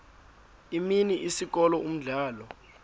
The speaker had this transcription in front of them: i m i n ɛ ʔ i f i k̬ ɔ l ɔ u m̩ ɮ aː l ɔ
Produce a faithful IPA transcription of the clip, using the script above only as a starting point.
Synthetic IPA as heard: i m i n i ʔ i s i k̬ ɔ l ɔ u m̩ ɮ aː l ɔ